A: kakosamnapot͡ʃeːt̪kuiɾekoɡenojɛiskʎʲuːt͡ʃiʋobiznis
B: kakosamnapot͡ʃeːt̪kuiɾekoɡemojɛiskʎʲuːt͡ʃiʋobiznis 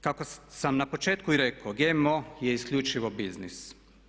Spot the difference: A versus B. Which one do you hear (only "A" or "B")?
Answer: B